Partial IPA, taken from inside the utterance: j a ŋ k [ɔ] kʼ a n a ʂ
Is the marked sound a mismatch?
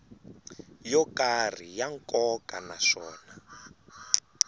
no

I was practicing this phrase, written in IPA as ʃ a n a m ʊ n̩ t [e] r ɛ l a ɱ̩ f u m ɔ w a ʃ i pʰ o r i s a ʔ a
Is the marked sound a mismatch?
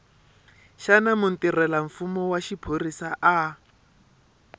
yes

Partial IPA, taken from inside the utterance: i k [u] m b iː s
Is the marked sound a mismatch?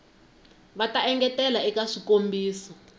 yes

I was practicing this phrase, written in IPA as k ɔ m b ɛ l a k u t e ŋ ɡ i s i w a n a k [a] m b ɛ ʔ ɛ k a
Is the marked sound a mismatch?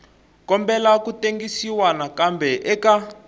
no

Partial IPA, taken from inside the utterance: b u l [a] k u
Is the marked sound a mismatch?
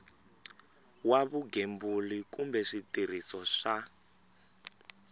yes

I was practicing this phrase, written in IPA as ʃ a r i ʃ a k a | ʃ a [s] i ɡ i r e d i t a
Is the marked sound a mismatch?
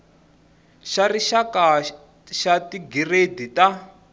yes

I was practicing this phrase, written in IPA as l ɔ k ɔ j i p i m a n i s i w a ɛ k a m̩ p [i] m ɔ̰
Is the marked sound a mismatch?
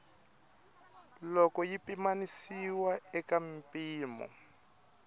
yes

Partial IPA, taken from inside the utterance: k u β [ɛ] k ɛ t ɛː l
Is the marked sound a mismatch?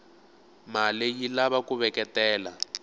no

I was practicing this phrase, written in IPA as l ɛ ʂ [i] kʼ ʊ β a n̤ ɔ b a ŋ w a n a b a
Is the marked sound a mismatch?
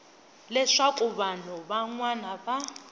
yes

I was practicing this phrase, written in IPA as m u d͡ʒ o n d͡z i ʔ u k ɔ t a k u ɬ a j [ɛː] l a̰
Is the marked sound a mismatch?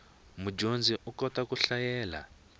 no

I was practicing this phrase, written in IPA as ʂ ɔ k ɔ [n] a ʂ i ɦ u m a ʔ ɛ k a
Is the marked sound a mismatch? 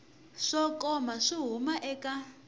yes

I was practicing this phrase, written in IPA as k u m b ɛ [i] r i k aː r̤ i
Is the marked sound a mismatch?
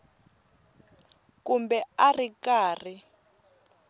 yes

